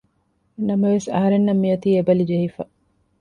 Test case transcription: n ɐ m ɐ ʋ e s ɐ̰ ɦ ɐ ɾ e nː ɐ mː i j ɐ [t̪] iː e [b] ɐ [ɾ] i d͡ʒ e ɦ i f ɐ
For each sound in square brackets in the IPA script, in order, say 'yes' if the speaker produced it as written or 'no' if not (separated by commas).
yes, yes, no